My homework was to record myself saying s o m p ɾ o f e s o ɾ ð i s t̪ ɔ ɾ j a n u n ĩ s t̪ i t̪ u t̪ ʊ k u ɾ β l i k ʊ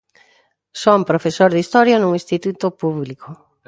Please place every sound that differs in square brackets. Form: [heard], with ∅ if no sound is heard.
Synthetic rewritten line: s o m p ɾ o f e s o ɾ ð i s t̪ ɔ ɾ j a n u [ŋ] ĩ s t̪ i t̪ u t̪ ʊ [p] u [∅] β l i k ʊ